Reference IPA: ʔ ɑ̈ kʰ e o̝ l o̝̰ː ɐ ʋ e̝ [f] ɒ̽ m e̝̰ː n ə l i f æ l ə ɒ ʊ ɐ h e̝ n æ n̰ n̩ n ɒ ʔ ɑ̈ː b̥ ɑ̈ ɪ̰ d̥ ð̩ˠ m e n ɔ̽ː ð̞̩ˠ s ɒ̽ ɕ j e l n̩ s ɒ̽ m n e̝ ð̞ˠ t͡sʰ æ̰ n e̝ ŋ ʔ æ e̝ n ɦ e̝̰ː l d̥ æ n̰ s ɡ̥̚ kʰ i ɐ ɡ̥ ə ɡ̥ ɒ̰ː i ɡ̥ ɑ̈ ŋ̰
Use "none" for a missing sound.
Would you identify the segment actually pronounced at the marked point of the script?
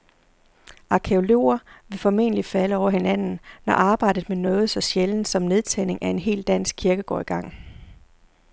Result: f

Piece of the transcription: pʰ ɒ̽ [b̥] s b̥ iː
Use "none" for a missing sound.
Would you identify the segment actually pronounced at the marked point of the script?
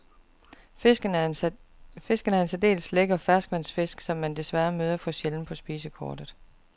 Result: none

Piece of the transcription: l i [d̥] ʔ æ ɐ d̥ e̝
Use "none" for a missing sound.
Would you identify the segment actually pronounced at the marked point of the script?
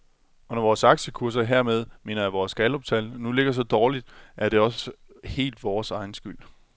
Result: d̥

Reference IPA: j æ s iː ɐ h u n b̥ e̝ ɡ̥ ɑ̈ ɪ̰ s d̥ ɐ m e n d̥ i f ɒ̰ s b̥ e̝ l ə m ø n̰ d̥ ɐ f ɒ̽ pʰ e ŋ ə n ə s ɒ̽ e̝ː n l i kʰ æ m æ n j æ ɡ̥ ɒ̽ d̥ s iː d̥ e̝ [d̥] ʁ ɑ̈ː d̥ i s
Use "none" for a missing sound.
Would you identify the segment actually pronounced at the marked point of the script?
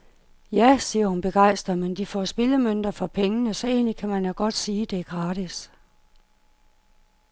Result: ɡ̥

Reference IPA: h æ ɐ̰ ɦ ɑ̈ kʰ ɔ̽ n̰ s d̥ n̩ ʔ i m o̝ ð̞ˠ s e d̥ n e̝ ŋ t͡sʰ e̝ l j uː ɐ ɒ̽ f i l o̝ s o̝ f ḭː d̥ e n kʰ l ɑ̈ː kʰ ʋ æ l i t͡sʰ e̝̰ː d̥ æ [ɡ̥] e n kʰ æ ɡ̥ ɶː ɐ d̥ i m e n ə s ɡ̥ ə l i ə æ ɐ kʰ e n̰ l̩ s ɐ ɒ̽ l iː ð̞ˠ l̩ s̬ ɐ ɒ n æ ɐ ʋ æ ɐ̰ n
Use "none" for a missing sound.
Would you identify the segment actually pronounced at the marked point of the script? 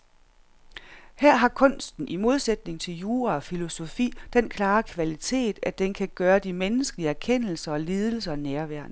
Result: d̥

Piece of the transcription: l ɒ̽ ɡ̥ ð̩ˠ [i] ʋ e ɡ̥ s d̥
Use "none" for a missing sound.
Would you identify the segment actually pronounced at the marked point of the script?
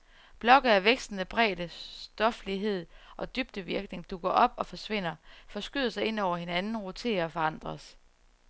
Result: æ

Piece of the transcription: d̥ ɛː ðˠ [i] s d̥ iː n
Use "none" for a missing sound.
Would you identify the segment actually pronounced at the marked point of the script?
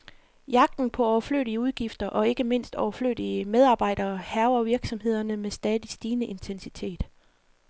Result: i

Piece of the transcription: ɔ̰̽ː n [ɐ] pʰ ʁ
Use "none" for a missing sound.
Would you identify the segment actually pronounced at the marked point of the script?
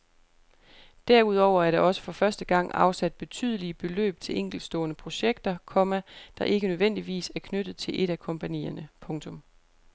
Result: ə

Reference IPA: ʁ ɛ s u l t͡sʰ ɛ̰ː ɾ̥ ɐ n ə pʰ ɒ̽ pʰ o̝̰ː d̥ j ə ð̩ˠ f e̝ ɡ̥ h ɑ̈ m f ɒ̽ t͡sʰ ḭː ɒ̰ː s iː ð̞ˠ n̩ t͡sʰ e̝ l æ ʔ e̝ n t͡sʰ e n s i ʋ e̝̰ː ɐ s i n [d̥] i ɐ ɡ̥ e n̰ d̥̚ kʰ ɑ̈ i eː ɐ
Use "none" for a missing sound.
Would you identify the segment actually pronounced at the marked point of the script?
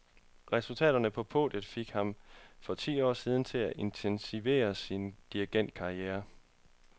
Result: d̥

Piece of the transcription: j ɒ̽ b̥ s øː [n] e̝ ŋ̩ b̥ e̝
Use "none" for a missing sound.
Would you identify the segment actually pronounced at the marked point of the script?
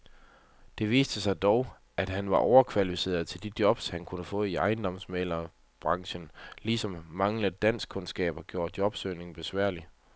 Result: n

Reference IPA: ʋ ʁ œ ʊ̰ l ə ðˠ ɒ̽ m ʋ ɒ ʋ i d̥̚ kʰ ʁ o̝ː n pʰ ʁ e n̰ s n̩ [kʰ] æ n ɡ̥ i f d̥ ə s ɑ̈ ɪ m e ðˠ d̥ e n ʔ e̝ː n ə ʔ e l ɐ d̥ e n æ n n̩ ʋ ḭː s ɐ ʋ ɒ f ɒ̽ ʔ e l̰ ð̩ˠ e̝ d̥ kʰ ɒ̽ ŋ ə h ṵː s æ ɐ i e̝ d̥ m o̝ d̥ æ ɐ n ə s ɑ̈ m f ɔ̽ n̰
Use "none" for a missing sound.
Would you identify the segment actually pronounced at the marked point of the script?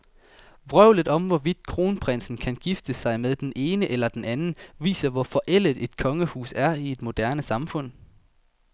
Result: kʰ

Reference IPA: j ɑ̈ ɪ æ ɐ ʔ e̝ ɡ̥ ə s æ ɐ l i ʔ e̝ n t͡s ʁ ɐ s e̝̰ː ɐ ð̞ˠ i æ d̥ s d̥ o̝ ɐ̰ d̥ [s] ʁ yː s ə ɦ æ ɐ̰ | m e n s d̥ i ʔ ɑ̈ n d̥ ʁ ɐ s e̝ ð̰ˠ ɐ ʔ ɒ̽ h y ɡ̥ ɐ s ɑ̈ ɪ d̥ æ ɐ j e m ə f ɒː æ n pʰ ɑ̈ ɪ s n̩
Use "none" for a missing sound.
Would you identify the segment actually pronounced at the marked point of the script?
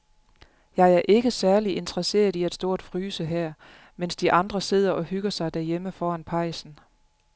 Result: f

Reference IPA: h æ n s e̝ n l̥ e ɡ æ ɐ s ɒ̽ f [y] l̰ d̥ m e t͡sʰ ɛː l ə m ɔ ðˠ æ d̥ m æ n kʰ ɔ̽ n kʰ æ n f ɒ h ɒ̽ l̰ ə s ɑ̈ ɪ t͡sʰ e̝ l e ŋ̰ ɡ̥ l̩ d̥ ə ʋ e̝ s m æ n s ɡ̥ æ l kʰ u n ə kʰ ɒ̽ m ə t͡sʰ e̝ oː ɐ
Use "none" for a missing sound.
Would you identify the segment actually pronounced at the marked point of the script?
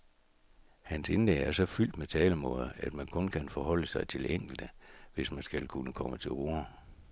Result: y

